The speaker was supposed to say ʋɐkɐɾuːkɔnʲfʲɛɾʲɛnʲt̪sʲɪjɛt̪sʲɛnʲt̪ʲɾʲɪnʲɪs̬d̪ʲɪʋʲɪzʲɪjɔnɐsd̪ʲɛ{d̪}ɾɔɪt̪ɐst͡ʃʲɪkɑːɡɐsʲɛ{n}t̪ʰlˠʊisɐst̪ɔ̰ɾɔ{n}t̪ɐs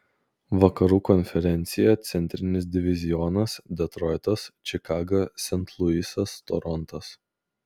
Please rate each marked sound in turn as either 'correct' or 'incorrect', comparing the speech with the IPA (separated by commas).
incorrect, correct, correct